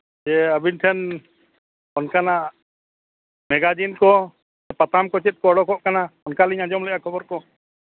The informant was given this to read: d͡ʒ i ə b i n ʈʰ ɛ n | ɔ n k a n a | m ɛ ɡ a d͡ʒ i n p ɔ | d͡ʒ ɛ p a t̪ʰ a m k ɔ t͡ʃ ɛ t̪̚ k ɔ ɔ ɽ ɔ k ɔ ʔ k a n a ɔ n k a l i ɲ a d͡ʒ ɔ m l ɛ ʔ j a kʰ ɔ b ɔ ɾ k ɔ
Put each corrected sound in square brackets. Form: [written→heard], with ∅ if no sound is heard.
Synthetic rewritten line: d͡ʒ [i→ɛ] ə b i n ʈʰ ɛ n | ɔ n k a n a | m ɛ ɡ a d͡ʒ i n [p→k] ɔ | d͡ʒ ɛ p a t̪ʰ a m k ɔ t͡ʃ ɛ t̪̚ k ɔ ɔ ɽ ɔ k ɔ ʔ k a n a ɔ n k a l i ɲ a d͡ʒ ɔ m l ɛ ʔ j a kʰ ɔ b ɔ ɾ k ɔ